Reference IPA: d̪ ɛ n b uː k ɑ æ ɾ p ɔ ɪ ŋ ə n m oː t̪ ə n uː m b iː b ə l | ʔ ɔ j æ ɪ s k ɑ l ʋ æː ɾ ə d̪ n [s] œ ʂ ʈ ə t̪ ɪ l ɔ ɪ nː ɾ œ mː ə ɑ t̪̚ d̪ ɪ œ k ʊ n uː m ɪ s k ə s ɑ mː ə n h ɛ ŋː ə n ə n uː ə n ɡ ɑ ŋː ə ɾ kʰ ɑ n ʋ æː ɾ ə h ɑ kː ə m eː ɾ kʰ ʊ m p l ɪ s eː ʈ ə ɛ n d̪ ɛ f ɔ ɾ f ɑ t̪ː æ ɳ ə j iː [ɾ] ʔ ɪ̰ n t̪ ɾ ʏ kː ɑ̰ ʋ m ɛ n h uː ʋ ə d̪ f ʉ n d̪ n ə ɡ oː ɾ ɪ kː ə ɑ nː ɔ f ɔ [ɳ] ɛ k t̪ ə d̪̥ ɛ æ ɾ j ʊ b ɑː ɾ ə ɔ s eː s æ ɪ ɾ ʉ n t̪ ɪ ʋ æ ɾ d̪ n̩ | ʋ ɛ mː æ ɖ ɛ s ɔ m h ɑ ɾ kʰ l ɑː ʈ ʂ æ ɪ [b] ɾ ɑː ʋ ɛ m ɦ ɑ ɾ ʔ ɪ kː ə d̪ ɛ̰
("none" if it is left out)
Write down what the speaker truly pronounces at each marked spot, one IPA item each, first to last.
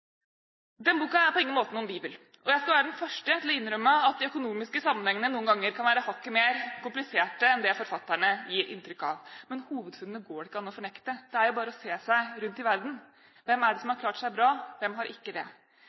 f, ɾ, ɳ, b

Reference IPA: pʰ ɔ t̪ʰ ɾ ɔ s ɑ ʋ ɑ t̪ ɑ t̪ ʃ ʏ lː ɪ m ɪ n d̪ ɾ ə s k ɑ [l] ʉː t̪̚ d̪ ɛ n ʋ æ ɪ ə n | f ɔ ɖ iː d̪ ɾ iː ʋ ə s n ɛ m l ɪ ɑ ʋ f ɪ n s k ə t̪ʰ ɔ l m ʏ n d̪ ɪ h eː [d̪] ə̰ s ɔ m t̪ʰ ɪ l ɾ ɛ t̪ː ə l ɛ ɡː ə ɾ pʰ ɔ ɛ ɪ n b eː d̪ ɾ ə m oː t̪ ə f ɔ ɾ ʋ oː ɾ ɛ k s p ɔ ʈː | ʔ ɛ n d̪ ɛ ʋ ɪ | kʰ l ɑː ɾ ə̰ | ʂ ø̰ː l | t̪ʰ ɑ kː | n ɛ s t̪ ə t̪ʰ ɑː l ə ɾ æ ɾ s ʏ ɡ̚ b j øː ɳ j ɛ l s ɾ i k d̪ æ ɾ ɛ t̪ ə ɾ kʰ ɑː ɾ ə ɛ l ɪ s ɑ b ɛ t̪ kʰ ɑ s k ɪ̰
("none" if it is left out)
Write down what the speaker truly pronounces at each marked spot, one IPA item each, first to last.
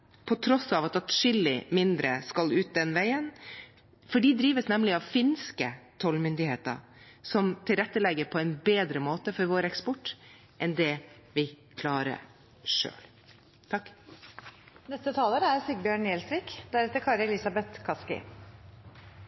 l, t̪

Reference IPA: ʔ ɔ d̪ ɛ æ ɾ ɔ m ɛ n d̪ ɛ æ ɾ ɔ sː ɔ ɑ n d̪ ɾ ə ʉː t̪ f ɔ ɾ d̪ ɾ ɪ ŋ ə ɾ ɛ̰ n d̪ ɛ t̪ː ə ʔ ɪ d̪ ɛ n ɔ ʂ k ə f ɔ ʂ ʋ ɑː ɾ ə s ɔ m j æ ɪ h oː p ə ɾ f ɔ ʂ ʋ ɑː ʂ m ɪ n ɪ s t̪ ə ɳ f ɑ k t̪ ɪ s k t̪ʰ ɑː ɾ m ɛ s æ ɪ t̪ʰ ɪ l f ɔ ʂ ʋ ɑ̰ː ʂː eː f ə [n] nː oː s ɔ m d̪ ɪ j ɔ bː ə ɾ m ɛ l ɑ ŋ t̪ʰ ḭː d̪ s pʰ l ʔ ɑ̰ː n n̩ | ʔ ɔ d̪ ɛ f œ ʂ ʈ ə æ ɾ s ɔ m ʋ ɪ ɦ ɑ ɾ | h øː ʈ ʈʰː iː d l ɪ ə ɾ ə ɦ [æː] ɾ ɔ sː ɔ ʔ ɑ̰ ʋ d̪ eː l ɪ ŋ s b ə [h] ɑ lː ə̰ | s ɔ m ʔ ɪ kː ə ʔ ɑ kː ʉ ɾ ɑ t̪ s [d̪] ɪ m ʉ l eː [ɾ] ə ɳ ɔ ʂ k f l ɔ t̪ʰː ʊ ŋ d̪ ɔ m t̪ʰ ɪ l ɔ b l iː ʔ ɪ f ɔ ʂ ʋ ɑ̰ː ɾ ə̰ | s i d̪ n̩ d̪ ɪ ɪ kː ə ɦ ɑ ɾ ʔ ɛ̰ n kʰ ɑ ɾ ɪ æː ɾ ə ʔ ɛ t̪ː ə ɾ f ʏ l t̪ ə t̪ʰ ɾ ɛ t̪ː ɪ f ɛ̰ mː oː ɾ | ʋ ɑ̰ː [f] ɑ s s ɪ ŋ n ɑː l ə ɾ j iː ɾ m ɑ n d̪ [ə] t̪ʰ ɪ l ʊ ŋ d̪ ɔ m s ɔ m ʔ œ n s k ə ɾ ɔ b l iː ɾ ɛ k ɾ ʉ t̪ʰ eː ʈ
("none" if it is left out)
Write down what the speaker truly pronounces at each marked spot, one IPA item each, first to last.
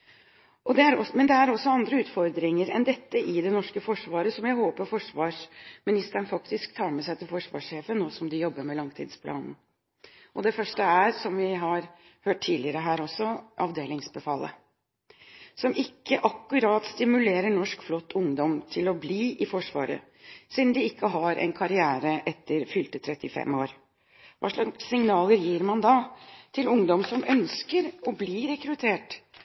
n, æː, f, t̪, ɾ, ʂ, ɑ

